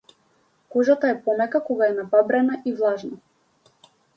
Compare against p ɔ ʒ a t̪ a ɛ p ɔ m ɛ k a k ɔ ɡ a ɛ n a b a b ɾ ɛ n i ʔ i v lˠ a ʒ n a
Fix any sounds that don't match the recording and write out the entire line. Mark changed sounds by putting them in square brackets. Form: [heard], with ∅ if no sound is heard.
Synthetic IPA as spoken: [k] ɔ ʒ a t̪ a ɛ p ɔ m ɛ k a k ɔ ɡ a ɛ n a b a b ɾ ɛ n [a] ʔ i v lˠ a ʒ n a